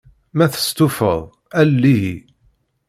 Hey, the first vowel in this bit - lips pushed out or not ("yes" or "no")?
no